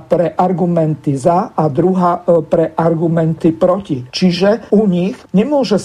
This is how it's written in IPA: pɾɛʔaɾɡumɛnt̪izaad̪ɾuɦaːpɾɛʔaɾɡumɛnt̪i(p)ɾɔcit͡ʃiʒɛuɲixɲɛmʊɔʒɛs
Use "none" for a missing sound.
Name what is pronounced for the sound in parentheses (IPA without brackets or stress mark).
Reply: p